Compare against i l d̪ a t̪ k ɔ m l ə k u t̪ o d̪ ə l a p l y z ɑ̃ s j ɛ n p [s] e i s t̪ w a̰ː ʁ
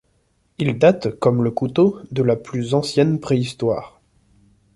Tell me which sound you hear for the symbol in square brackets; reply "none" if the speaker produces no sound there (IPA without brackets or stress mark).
χ